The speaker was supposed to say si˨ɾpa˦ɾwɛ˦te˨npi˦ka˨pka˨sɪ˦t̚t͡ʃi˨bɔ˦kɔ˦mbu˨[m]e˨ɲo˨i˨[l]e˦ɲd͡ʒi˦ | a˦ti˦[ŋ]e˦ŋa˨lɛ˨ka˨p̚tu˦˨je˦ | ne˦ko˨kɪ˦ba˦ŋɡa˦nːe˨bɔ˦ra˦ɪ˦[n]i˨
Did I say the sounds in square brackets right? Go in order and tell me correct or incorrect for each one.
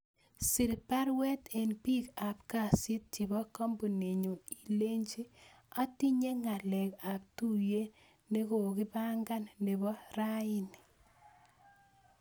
incorrect: n, correct, incorrect: ɲ, correct

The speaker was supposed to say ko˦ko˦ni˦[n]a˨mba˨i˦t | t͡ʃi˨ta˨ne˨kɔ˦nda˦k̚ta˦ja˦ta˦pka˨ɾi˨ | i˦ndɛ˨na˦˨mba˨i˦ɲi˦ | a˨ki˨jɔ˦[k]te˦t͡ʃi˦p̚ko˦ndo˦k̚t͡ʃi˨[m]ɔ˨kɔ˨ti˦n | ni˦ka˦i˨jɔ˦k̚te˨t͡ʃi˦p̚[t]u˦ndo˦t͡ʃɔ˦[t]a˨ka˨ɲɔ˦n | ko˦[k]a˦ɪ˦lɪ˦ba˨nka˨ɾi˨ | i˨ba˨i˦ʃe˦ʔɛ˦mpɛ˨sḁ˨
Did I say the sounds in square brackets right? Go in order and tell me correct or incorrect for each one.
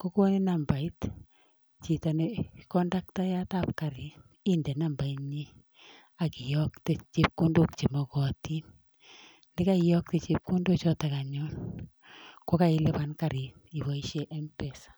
correct, correct, correct, incorrect: k, correct, correct

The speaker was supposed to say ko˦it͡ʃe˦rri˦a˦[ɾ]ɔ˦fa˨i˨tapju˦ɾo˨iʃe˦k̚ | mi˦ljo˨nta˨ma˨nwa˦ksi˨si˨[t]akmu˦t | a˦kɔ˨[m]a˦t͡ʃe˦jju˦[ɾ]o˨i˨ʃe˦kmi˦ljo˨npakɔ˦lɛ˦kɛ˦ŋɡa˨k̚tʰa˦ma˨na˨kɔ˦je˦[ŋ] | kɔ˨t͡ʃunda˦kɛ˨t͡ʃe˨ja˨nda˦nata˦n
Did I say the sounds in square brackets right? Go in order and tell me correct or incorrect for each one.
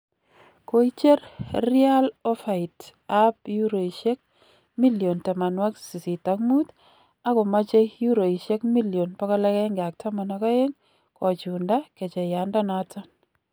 incorrect: l, correct, correct, correct, correct

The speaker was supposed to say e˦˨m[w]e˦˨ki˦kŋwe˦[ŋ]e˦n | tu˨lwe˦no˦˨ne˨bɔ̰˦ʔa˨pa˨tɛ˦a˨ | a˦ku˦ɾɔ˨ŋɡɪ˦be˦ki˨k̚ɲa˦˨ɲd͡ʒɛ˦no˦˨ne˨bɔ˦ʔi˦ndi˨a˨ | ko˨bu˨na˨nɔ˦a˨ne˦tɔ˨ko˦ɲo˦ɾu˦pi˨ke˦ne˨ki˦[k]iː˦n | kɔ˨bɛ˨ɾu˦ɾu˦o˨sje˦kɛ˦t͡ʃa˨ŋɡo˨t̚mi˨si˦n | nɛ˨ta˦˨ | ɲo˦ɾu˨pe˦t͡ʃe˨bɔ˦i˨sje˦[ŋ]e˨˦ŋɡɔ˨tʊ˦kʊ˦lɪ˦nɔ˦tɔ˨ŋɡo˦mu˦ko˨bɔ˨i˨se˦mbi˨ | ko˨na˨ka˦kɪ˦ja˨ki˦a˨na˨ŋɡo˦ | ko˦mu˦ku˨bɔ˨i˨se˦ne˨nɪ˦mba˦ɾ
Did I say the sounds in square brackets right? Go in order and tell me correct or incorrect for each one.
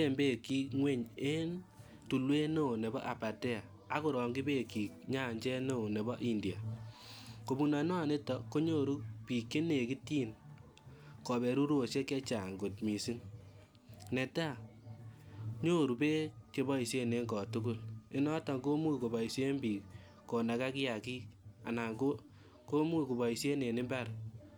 incorrect: b, incorrect: ɲ, incorrect: t, incorrect: n

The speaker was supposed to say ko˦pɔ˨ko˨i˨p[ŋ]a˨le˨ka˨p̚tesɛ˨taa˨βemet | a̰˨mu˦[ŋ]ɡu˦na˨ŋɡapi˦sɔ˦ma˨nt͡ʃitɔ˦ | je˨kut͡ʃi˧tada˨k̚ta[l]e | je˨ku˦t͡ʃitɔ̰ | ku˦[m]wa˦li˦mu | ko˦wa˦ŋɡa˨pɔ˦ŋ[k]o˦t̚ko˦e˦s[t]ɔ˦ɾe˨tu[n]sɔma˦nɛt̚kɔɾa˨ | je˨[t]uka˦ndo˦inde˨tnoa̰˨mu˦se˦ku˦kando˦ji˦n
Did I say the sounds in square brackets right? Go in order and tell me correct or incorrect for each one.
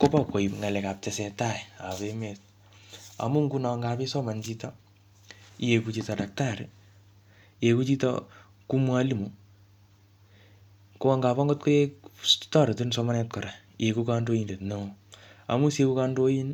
correct, correct, incorrect: ɾ, correct, incorrect: ɡ, correct, correct, incorrect: k

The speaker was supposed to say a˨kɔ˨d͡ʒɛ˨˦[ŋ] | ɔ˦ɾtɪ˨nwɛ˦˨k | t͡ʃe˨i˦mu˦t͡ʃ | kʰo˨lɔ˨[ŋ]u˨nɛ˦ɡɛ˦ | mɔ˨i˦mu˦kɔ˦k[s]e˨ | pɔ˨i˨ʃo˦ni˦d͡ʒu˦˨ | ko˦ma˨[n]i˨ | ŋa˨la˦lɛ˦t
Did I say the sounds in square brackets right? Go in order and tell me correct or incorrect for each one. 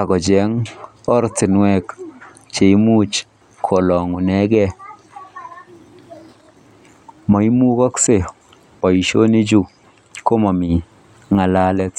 correct, correct, correct, incorrect: m

